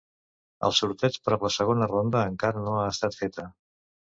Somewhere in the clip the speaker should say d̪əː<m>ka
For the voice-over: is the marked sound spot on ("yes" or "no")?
no